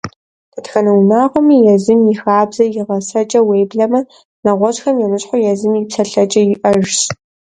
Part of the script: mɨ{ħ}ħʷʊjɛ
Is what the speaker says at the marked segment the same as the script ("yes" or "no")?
no